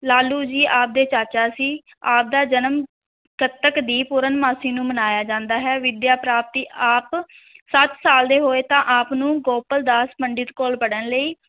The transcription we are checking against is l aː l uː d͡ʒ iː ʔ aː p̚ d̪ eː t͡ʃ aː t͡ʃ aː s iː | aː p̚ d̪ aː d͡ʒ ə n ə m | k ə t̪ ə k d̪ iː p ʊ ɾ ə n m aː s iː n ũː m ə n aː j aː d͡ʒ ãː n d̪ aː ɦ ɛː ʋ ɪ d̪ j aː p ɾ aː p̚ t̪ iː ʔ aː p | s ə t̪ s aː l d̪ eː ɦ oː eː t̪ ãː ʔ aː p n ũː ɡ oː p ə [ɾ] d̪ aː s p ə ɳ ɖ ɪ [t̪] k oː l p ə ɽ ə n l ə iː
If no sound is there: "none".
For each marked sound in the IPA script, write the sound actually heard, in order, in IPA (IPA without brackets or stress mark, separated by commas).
l, t̪